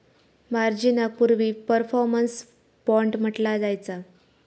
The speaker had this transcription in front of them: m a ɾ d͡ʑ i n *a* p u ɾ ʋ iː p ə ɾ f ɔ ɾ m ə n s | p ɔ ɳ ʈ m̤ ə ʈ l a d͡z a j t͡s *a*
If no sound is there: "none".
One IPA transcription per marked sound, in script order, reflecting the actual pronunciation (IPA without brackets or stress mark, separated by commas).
a, a